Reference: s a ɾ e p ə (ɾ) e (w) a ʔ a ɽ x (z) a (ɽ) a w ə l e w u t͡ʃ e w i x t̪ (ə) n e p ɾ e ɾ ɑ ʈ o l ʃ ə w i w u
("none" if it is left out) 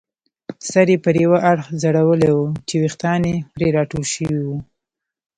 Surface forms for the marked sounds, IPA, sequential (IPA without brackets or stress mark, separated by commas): ɾ, w, z, ɽ, ɑ